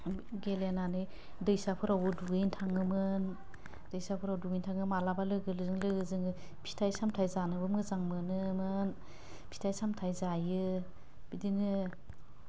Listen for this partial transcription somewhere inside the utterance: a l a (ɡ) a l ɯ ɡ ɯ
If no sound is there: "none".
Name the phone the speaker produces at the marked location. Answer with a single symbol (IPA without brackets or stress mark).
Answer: b